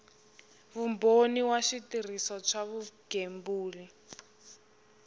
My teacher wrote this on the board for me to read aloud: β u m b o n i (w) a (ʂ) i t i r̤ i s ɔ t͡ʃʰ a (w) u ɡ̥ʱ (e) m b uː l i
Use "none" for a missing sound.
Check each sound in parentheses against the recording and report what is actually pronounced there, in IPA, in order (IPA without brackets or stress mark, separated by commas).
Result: w, ʃ, β, e